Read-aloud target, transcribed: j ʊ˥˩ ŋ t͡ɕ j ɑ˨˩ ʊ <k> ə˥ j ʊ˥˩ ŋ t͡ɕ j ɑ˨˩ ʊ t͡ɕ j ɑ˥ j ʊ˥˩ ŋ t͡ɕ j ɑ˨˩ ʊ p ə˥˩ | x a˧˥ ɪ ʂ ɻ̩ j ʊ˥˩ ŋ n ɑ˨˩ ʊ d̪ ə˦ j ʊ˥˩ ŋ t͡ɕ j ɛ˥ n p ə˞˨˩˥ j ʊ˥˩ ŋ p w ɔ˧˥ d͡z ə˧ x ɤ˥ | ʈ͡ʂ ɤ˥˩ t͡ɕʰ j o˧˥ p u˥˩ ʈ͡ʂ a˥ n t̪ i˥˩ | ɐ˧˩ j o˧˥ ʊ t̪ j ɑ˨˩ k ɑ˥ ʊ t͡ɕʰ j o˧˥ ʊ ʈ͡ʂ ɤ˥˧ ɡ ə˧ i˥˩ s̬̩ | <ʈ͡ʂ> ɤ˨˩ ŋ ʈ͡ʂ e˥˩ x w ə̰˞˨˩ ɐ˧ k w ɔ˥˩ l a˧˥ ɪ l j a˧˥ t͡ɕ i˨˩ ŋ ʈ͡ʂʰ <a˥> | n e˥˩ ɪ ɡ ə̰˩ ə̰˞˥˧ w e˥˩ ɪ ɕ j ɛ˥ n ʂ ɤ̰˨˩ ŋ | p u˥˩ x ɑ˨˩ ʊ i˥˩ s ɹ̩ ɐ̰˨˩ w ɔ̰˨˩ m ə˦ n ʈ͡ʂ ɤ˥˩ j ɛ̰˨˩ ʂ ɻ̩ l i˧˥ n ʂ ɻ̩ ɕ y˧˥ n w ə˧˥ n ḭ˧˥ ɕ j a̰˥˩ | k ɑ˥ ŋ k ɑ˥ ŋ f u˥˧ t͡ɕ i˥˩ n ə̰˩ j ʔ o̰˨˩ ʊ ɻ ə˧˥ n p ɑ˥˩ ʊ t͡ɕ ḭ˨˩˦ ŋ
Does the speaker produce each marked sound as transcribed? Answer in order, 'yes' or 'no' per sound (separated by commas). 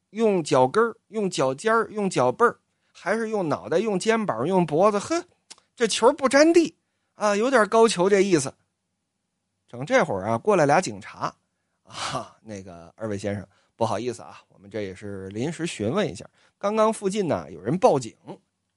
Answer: yes, yes, no